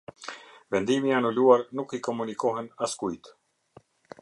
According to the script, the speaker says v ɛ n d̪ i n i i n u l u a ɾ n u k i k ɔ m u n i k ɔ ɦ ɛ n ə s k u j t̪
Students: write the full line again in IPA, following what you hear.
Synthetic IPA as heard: v ɛ n d̪ i m i a n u l u a ɾ n u k i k ɔ m u n i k ɔ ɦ ɛ n a s k u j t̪